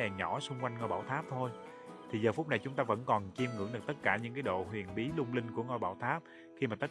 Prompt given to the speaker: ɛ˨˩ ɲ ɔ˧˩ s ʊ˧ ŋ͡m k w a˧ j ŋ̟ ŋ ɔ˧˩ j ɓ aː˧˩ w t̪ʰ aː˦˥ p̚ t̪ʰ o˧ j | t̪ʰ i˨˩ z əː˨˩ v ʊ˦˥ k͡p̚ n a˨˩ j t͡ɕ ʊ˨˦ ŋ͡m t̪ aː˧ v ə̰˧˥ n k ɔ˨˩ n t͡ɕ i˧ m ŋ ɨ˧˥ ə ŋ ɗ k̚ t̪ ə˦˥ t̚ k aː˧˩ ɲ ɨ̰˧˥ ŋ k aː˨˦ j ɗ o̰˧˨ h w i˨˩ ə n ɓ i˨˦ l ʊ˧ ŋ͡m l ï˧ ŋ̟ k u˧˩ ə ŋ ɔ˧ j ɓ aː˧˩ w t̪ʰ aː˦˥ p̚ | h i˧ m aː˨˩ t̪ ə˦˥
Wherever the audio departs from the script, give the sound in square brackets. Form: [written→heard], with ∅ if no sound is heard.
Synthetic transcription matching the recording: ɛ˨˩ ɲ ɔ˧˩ s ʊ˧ ŋ͡m k w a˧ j ŋ̟ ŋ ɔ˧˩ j ɓ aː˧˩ w t̪ʰ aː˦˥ p̚ t̪ʰ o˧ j | t̪ʰ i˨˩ z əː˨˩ [v→f] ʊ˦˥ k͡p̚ n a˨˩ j t͡ɕ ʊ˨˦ ŋ͡m t̪ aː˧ v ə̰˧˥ n k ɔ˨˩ n t͡ɕ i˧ m ŋ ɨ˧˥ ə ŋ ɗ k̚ t̪ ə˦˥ t̚ k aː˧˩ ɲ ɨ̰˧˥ ŋ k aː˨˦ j ɗ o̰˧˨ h w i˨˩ ə n ɓ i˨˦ l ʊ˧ ŋ͡m l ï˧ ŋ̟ k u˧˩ ə ŋ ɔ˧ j ɓ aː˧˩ w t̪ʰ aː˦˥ p̚ | [h→x] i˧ m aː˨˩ t̪ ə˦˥

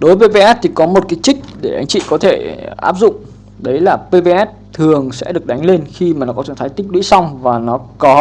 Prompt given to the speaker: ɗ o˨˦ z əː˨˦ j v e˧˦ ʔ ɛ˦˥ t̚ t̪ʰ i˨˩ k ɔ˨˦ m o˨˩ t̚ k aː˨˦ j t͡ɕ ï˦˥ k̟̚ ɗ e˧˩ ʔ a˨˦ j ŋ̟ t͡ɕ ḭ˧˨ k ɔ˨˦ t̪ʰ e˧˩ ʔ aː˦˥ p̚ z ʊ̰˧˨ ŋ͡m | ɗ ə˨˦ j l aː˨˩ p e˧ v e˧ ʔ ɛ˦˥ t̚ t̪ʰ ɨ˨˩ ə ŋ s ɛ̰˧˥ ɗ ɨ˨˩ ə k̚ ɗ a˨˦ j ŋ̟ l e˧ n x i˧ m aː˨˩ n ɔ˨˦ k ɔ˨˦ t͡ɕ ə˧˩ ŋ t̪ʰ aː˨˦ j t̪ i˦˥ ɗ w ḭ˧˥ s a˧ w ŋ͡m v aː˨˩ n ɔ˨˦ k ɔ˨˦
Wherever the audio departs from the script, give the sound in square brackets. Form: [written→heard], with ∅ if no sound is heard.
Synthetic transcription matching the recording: ɗ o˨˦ [z→v] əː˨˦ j v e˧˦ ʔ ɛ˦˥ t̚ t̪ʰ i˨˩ k ɔ˨˦ m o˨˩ t̚ k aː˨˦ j t͡ɕ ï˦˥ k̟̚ ɗ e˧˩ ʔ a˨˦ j ŋ̟ t͡ɕ ḭ˧˨ k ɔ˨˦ t̪ʰ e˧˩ ʔ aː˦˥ p̚ z ʊ̰˧˨ ŋ͡m | ɗ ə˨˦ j l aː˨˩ p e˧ v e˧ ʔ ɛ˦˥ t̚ t̪ʰ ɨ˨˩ ə ŋ s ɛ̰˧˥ ɗ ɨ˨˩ ə k̚ ɗ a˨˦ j ŋ̟ l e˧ n x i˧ m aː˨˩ n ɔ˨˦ k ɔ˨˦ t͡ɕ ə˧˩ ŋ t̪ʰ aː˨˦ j t̪ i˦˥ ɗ w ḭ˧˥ s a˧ w ŋ͡m v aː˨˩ n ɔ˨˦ k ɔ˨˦

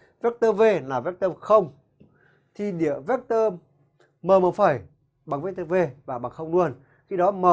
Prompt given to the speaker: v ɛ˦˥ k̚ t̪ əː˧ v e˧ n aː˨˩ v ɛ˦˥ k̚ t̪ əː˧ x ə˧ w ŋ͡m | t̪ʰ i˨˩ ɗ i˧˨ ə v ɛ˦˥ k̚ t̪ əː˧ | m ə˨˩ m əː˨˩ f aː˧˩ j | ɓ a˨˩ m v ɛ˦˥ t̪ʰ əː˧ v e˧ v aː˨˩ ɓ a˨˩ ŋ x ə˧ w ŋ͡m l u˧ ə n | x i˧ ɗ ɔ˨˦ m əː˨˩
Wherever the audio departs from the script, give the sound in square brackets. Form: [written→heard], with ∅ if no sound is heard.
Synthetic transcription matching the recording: v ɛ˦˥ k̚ t̪ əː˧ v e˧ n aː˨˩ v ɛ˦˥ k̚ t̪ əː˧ x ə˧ w ŋ͡m | t̪ʰ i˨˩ ɗ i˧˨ ə v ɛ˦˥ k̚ t̪ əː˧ | m [ə˨˩→əː˨˩] m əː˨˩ f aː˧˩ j | ɓ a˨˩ [m→ŋ] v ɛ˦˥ [t̪ʰ→t̪] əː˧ v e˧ v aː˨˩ ɓ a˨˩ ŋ x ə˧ w ŋ͡m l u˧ ə n | x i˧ ɗ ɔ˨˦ m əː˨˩

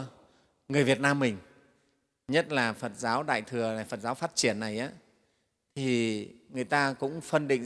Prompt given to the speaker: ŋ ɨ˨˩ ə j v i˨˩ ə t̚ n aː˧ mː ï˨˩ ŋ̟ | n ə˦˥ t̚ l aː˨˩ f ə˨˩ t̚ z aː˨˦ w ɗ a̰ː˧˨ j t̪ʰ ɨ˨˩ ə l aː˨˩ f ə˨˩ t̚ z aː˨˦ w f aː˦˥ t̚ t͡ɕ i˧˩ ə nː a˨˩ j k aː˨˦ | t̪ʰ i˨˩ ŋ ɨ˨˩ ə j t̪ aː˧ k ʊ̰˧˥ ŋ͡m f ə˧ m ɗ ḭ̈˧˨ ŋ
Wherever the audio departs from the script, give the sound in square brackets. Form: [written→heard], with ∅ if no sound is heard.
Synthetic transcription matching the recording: ŋ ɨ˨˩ ə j v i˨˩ ə t̚ n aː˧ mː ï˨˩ ŋ̟ | [n→ɲ] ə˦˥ t̚ l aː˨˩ f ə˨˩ t̚ z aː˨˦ w ɗ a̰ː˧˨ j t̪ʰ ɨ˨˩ ə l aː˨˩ f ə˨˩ t̚ z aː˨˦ w f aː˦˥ t̚ t͡ɕ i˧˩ ə nː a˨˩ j [k→ʔ] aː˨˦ | t̪ʰ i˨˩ ŋ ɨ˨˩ ə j t̪ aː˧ k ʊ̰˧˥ ŋ͡m f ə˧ [m→n] ɗ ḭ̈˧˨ ŋ

